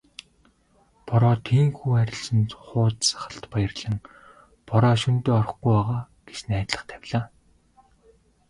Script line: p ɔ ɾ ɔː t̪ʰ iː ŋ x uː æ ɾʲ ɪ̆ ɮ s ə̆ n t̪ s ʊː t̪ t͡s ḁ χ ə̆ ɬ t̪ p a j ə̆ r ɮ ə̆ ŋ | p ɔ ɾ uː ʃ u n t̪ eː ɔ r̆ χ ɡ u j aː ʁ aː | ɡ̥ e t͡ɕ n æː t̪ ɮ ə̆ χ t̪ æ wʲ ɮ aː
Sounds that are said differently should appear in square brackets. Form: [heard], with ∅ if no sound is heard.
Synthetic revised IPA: p ɔ ɾ ɔː t̪ʰ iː ŋ x uː æ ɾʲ ɪ̆ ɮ s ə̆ n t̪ [χ] ʊː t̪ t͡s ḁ χ ə̆ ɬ t̪ p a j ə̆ r ɮ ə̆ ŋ | p ɔ ɾ [ɔː] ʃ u n t̪ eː ɔ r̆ χ ɡ u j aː ʁ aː | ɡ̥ e t͡ɕ n æː t̪ ɮ ə̆ χ [t̪ʰ] æ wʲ ɮ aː